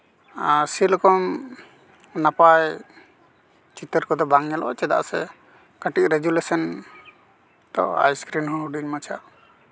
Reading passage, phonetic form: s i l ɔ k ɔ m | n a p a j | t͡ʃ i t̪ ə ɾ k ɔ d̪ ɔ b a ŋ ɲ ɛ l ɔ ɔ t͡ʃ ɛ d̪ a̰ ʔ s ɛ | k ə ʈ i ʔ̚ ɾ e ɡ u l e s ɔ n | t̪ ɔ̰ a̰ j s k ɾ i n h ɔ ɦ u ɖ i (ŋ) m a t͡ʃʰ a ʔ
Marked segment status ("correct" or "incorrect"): incorrect